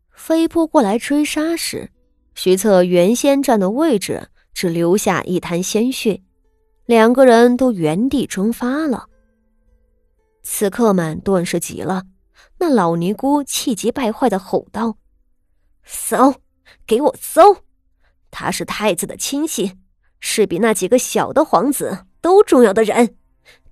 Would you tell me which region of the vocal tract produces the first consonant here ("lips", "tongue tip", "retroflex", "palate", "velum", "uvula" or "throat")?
lips